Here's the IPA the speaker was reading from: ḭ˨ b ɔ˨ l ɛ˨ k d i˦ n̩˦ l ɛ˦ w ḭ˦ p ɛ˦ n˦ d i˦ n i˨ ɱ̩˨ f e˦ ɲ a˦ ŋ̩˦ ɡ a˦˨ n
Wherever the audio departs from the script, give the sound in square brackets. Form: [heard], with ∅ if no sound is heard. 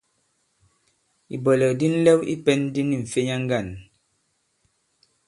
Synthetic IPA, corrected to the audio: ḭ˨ b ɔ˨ l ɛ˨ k d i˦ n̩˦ l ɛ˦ w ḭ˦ p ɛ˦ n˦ d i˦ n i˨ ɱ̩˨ f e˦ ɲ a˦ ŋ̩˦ ɡ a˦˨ n